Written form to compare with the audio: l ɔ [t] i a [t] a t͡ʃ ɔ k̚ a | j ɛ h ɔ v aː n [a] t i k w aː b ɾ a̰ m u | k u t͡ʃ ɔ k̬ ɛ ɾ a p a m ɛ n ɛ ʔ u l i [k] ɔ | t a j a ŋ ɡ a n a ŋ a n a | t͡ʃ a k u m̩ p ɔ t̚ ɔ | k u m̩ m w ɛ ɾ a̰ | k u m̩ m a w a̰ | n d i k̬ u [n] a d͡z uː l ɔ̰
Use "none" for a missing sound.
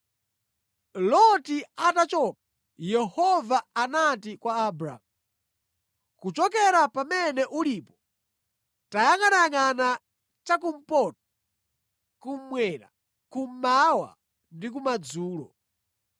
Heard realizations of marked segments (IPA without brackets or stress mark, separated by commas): t, t, a, p, m